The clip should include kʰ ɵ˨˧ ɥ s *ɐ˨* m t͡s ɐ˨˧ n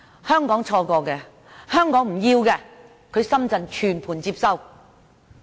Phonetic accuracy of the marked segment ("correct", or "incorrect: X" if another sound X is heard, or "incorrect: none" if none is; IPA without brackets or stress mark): incorrect: ɐ˥